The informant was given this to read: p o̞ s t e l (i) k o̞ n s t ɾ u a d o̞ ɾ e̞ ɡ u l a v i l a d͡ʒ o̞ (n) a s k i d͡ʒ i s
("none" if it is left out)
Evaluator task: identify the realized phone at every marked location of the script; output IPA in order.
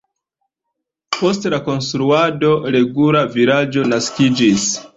a, n

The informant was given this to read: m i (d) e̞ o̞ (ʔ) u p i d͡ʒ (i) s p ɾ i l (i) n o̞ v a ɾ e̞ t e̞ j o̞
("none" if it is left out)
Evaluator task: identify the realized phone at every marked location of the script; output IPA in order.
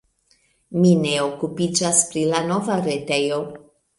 n, k, a, a

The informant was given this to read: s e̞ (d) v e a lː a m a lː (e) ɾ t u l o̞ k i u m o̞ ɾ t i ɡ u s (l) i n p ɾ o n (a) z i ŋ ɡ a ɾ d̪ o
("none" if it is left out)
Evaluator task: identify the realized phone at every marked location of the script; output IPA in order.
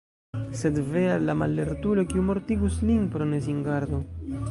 d, e, l, e

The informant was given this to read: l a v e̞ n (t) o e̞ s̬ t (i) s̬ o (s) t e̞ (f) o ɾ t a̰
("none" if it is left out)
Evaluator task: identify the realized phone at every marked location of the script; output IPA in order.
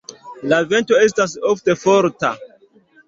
t, a, f, f

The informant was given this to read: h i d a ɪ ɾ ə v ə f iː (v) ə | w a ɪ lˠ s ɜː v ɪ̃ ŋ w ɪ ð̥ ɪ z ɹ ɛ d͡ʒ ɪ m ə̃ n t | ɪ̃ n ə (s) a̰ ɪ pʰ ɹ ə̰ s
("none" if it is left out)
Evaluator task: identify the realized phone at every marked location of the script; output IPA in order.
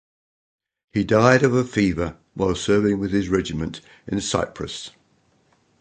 v, s

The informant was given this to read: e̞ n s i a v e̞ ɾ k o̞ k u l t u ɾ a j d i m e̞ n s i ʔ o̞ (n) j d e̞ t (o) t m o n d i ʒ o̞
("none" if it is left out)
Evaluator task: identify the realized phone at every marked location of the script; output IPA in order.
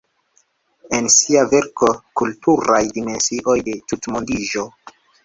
none, u

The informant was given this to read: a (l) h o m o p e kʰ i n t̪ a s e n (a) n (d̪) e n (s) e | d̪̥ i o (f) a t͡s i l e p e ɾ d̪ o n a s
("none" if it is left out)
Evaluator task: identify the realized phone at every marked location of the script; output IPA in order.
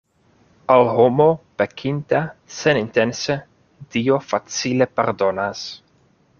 l, i, t̪, s, f

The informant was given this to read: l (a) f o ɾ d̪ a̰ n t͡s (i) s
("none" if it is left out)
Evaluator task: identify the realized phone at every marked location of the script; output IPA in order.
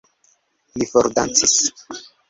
i, i

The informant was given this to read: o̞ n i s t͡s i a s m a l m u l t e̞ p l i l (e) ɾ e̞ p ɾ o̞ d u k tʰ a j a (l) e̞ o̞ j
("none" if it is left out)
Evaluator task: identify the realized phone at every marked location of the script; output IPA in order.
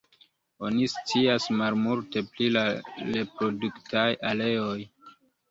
a, l

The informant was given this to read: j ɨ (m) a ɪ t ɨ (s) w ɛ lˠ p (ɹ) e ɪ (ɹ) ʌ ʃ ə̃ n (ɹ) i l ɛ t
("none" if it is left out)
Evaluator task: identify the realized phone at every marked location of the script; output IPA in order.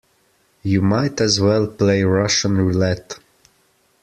m, z, l, ɹ, ɹ

